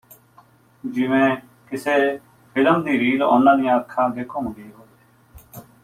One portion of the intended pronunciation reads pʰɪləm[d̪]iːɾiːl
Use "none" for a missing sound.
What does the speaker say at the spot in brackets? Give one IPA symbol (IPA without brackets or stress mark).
d̪